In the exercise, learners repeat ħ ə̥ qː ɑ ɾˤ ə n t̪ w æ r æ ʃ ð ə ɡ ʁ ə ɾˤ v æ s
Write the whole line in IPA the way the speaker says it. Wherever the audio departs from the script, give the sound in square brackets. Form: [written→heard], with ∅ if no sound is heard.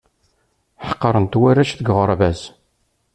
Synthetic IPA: ħ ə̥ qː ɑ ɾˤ ə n t̪ w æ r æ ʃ [ð→θ] ə ɡ ʁ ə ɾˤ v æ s